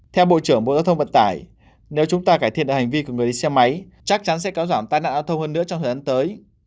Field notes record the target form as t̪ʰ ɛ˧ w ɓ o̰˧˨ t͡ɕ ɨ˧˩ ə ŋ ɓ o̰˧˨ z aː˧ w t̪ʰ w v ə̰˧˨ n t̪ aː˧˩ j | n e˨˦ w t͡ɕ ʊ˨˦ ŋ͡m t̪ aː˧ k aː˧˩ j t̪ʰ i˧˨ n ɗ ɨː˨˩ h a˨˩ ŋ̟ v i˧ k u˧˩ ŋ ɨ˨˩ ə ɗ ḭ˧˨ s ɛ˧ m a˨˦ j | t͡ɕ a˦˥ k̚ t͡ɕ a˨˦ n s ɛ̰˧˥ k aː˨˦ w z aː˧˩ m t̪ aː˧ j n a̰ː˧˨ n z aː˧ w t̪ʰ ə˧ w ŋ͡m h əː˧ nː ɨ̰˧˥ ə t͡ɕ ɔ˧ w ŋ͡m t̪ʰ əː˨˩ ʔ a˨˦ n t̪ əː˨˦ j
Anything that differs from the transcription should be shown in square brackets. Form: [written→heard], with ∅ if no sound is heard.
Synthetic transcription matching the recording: t̪ʰ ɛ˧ w ɓ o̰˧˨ t͡ɕ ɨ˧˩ ə ŋ ɓ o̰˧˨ z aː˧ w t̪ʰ w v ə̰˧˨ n t̪ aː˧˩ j | n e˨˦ w t͡ɕ ʊ˨˦ ŋ͡m t̪ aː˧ k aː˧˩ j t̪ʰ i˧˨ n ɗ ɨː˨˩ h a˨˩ ŋ̟ v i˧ k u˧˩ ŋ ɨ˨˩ ə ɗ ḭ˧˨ s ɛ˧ m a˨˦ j | t͡ɕ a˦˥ k̚ t͡ɕ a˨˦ n s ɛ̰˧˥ k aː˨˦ w z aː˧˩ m t̪ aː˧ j n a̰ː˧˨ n z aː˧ w t̪ʰ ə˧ w ŋ͡m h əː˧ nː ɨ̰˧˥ ə t͡ɕ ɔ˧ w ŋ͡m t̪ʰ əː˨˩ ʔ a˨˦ n t̪ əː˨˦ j